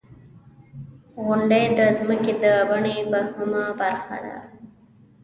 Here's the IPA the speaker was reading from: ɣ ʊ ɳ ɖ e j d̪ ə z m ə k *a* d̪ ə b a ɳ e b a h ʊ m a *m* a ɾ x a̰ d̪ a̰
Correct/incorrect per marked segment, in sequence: incorrect, incorrect

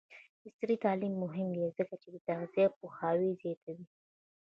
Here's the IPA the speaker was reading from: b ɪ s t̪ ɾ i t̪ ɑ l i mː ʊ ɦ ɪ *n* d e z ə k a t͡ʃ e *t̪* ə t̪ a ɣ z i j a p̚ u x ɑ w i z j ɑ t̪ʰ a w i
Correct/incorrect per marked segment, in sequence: incorrect, incorrect

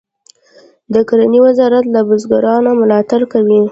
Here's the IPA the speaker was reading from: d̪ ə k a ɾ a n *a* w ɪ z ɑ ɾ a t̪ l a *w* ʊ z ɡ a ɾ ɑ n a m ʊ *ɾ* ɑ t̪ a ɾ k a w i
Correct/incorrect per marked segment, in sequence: incorrect, incorrect, incorrect

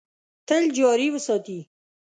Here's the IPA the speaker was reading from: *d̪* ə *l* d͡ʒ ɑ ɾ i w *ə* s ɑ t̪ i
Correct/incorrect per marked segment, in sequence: incorrect, correct, correct

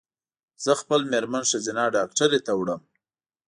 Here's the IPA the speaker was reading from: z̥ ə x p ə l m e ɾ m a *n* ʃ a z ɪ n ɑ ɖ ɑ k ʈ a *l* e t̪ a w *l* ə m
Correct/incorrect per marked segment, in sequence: correct, incorrect, incorrect

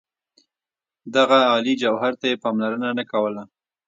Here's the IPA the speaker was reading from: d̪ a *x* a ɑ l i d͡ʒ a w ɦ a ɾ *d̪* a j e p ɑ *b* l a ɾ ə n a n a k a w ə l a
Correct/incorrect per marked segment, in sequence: incorrect, incorrect, incorrect

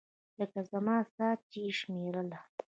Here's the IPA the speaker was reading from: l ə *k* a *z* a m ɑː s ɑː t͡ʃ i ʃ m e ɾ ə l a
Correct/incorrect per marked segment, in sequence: correct, correct

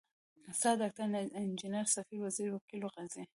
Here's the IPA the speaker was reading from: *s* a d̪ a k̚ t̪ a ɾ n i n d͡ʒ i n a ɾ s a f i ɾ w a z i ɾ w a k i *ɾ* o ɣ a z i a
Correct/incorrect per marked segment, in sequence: correct, incorrect

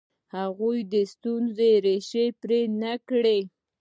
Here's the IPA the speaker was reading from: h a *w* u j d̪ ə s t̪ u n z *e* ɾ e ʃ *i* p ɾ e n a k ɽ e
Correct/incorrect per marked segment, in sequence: incorrect, correct, incorrect

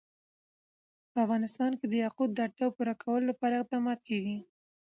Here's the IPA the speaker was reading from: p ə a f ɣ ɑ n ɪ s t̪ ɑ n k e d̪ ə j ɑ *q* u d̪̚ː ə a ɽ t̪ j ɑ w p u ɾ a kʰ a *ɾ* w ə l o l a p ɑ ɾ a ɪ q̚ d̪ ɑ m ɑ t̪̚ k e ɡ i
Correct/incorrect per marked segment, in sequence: correct, incorrect

